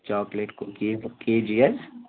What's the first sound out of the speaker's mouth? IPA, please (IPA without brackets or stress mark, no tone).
t͡ʃ